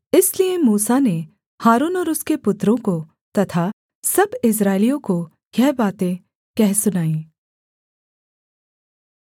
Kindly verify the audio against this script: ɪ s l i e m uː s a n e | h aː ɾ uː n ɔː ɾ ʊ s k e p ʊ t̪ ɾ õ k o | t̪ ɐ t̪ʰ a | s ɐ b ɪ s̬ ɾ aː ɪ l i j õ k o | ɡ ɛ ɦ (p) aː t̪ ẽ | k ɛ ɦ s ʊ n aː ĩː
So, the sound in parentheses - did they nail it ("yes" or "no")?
no